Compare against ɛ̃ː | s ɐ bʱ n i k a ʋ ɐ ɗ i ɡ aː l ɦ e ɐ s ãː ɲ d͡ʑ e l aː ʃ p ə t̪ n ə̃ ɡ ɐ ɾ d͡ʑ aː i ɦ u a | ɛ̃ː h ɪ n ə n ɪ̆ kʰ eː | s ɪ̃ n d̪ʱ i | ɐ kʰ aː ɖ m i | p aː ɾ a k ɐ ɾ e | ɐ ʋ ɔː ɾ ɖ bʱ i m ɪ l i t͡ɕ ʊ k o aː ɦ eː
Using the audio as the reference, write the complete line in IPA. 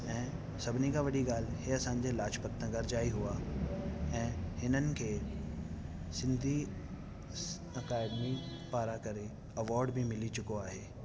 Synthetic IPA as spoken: ɛ̃ː | s ɐ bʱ n i k a ʋ ɐ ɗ i ɡ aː l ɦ e ɐ s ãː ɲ d͡ʑ e l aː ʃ p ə t̪ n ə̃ ɡ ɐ ɾ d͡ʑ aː i ɦ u a | ɛ̃ː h ɪ n ə n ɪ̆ kʰ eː | s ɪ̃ n d̪ʱ i | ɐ k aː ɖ m i | p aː ɾ a k ɐ ɾ e | ɐ ʋ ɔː ɾ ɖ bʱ i m ɪ l i t͡ɕ ʊ k o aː ɦ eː